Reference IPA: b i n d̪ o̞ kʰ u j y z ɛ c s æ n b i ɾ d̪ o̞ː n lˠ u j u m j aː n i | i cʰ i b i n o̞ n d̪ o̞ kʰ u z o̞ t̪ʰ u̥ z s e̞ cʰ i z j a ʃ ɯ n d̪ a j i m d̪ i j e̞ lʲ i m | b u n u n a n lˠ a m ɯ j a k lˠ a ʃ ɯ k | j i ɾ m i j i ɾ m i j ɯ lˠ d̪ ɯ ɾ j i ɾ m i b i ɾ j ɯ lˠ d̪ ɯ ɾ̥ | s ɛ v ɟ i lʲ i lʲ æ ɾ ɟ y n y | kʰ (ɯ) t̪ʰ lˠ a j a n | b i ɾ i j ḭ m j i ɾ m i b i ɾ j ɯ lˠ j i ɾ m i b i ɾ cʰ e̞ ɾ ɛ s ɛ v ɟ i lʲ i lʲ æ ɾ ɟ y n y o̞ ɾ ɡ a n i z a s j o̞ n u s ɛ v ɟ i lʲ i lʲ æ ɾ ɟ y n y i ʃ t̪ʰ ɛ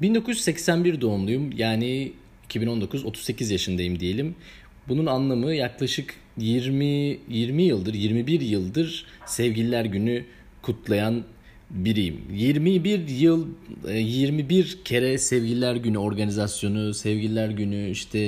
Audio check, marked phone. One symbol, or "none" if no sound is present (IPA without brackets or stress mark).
u